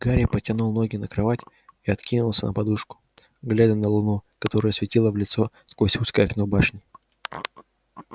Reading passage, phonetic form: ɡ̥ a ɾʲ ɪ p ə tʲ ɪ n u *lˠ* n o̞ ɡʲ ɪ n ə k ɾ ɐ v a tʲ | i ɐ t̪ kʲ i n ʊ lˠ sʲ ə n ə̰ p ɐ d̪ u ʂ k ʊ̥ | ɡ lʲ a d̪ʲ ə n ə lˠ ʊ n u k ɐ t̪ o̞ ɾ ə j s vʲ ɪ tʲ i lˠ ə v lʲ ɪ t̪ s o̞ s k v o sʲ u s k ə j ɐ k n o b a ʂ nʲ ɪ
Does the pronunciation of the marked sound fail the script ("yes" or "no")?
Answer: no